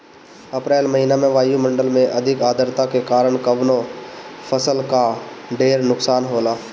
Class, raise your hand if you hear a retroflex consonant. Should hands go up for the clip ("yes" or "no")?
yes